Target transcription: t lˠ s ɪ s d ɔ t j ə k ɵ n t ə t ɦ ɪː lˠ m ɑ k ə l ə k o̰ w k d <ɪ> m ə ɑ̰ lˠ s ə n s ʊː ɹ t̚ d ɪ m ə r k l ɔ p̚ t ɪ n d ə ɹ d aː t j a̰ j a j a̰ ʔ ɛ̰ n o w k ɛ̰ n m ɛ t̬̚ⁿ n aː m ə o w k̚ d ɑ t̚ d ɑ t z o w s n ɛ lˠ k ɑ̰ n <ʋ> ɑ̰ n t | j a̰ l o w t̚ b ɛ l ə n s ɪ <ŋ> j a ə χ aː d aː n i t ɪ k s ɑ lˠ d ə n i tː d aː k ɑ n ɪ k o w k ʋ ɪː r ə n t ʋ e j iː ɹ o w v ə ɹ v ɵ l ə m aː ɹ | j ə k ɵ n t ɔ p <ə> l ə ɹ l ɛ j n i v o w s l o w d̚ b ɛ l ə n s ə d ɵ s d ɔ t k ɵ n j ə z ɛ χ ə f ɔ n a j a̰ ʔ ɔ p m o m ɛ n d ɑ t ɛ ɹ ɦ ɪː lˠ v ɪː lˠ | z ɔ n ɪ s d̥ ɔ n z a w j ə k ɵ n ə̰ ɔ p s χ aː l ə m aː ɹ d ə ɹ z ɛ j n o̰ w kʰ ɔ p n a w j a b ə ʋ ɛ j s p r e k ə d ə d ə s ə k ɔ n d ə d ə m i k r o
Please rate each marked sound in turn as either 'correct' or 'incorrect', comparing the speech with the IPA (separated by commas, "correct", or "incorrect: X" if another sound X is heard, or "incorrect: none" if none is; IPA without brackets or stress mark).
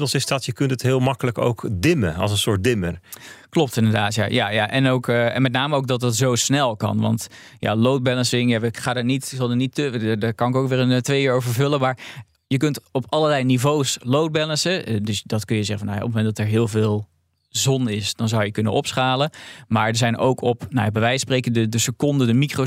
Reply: correct, correct, correct, incorrect: ɑ